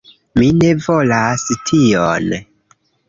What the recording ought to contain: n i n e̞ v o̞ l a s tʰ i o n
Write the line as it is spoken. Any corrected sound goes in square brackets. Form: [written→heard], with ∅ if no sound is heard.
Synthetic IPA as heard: [n→m] i n e̞ v o̞ l a s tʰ i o n